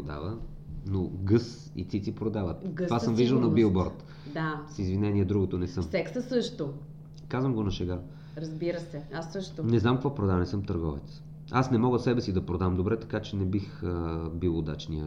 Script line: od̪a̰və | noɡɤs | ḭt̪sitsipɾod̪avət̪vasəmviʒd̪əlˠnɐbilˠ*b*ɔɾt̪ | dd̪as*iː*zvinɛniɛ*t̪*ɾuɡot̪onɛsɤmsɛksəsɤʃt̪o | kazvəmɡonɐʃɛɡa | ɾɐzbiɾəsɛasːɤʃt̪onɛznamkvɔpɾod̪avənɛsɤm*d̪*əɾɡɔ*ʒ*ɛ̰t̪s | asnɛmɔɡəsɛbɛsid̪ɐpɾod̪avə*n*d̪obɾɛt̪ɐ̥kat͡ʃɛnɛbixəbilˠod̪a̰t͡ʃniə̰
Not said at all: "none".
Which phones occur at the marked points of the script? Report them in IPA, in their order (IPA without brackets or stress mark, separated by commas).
b, i, d̪, t̪, v, m